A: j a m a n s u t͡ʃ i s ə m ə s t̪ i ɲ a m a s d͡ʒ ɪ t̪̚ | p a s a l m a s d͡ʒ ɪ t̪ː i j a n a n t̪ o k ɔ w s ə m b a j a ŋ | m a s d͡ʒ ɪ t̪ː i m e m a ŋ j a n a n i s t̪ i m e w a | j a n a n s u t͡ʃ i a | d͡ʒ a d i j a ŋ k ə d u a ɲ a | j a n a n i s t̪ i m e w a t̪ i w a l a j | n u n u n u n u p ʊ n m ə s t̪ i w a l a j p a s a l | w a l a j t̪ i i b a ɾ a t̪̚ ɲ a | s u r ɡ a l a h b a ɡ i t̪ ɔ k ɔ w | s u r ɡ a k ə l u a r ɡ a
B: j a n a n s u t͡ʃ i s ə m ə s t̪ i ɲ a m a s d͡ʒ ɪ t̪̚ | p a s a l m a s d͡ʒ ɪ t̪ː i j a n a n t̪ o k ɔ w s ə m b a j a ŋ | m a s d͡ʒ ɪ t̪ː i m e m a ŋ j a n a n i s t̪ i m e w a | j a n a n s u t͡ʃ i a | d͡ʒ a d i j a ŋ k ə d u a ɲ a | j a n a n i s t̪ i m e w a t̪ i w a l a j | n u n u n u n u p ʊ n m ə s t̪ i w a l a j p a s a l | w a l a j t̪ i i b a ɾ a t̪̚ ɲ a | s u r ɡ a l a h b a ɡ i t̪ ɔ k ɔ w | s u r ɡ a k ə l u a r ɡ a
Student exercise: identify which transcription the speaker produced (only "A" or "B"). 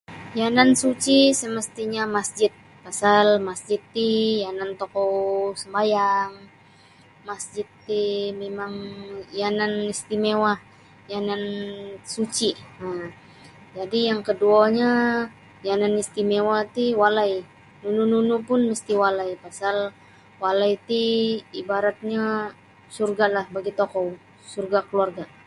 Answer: B